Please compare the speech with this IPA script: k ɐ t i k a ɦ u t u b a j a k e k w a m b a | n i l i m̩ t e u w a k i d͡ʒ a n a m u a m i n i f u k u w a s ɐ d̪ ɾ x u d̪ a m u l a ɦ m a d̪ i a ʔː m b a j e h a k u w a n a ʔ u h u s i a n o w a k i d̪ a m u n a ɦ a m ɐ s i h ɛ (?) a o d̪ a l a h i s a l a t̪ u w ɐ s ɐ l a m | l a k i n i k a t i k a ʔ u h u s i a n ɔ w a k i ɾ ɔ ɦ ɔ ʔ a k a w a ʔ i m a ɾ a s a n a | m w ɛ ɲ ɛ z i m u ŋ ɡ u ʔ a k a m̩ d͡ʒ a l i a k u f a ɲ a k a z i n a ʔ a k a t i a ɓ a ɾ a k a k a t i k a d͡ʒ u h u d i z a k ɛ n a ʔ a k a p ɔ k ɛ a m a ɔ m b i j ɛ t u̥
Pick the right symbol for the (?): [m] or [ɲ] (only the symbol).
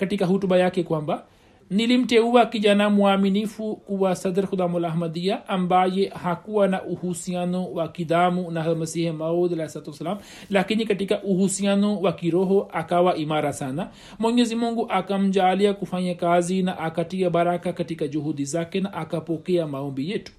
m